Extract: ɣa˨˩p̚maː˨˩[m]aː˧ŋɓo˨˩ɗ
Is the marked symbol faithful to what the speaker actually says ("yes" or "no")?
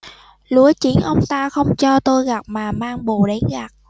yes